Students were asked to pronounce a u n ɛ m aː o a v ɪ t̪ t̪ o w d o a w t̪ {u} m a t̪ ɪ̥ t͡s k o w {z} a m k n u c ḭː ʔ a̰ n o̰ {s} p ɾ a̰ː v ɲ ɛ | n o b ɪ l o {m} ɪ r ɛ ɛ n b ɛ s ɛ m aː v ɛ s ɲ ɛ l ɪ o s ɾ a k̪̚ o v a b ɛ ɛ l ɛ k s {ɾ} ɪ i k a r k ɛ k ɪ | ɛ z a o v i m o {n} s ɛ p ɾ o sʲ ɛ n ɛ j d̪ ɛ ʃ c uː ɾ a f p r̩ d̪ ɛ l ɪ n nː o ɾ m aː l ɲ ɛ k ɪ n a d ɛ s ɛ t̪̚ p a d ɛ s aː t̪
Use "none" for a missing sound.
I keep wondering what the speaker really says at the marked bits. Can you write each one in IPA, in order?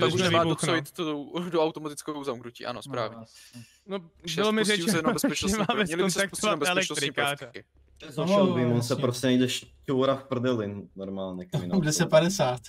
o, z, s, m, ɾ, n

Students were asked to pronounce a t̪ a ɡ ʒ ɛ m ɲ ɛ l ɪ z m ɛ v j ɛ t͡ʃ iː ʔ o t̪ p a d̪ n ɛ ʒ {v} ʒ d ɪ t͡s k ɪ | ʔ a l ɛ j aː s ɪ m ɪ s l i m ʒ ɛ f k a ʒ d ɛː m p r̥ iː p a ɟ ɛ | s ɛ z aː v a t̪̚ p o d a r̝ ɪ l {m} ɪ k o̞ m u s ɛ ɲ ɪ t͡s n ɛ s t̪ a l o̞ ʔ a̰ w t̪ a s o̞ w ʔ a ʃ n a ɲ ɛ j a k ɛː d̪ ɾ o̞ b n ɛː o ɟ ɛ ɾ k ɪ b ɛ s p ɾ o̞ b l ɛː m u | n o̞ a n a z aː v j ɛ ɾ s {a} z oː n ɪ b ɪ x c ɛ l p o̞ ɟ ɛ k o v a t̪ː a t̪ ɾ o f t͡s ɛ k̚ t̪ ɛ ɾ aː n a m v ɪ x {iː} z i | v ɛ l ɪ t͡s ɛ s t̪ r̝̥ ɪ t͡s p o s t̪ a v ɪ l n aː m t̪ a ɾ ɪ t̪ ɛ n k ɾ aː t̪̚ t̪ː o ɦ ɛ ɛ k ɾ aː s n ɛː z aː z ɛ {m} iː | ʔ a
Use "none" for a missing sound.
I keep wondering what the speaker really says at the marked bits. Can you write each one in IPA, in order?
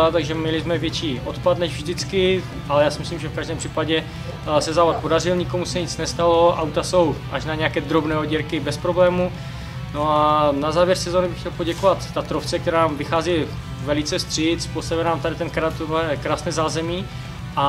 v, ɲ, ɛ, aː, m

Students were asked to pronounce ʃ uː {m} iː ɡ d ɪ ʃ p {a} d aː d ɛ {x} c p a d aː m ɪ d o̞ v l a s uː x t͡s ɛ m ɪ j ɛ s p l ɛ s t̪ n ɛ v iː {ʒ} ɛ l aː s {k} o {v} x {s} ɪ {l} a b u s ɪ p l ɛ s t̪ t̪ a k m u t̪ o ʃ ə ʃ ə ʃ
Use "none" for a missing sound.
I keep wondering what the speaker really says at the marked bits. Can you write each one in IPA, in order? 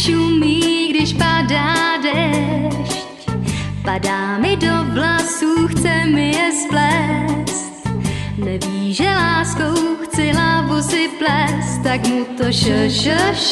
m, a, ʃ, ʒ, k, w, t͡s, l

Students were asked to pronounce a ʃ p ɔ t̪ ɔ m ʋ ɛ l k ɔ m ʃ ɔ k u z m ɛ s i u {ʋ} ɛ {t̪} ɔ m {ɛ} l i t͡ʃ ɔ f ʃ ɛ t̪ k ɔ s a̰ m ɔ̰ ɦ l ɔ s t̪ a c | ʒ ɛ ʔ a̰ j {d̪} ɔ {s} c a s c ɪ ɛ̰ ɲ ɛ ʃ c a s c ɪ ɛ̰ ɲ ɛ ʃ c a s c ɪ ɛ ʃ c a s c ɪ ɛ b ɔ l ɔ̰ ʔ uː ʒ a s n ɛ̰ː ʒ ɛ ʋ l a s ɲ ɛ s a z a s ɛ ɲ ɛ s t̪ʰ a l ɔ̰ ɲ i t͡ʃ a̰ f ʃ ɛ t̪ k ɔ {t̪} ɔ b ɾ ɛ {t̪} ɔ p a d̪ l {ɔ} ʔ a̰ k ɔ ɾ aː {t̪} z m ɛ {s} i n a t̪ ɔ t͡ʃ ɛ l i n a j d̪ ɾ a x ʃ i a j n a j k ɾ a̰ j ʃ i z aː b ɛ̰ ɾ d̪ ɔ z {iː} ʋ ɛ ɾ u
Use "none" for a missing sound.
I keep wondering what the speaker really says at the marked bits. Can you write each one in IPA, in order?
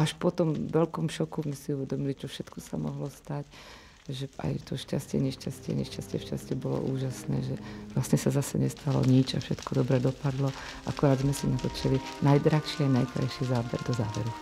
ʋ, d̪, i, t̪, ʃ, d̪, d̪, ɔ, d̪, s, aː

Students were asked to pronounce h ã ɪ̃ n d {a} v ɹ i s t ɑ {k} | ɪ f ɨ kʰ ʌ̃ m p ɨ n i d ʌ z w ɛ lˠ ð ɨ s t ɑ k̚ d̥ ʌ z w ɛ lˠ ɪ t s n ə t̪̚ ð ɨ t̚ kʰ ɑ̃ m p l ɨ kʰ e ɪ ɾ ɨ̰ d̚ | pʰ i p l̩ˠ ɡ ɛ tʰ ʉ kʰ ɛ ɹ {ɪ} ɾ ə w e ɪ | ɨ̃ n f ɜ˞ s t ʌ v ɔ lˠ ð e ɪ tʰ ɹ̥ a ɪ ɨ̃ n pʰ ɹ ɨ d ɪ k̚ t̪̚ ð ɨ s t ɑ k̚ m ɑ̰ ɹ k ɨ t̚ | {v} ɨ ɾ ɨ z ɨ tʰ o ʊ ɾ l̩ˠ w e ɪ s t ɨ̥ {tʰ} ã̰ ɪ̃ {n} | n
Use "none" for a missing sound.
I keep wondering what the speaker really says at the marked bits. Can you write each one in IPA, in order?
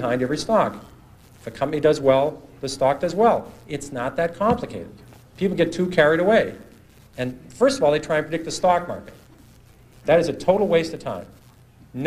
ɛ, k, i, ð, tʰ, m

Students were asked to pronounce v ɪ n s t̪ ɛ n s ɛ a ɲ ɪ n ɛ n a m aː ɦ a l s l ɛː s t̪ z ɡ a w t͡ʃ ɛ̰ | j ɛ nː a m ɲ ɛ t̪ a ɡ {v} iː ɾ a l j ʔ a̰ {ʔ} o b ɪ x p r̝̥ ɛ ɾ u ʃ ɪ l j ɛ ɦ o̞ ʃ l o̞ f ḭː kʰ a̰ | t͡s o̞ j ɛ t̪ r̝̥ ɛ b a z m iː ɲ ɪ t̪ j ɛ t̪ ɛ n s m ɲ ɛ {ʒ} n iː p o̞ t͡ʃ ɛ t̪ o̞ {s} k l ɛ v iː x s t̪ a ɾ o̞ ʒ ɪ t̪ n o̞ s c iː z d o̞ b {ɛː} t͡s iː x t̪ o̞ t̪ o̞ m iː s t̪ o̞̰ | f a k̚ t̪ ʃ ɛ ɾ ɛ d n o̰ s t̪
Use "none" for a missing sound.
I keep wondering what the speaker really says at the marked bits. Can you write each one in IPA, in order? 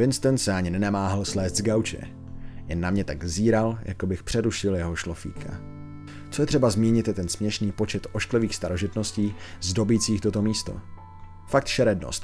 z, k, ʃ, ʃ, iː

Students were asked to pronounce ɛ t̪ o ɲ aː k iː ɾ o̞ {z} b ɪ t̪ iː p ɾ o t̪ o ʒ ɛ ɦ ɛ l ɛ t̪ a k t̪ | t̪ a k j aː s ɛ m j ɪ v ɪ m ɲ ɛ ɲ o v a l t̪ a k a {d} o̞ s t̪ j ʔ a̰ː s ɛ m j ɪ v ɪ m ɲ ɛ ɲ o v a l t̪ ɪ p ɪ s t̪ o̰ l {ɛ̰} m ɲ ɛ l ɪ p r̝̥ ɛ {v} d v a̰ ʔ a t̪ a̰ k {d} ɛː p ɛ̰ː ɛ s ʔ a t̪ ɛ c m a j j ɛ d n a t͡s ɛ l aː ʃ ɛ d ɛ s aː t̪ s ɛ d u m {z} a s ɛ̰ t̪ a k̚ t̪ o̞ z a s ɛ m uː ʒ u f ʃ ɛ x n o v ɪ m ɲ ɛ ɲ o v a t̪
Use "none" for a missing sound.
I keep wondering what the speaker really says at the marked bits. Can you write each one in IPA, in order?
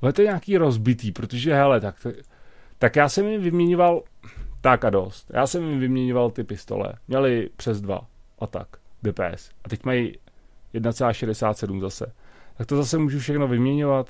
z, d, ɛ̰, z, d, z

